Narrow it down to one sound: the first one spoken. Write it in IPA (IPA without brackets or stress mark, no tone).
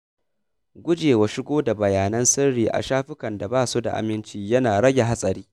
ɡʷ